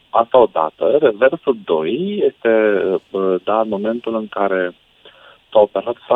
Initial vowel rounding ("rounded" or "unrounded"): unrounded